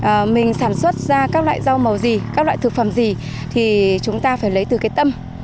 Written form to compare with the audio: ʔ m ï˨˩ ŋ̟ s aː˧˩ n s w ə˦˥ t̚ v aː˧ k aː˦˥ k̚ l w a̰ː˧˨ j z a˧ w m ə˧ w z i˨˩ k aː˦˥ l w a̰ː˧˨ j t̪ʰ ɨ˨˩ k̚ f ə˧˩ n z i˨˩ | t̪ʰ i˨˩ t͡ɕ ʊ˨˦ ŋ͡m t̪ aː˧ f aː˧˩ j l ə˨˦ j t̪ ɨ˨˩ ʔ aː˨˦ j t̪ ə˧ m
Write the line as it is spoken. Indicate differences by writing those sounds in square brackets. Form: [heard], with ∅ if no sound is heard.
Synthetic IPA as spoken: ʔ m ï˨˩ ŋ̟ s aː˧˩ n s w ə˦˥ t̚ [z] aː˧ k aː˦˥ k̚ l w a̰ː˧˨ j z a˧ w m [ə˨˩] w z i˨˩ k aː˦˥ l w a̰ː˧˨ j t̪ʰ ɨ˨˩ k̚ f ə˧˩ [m] z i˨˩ | t̪ʰ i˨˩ t͡ɕ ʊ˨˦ ŋ͡m t̪ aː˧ f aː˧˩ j l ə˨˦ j t̪ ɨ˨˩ [k] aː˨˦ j t̪ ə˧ m